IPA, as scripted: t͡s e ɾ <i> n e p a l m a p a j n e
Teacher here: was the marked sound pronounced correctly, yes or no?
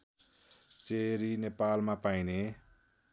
yes